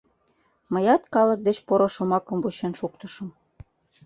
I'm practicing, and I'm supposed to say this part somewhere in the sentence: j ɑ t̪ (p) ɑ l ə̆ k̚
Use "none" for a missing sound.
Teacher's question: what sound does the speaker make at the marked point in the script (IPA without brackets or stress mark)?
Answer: k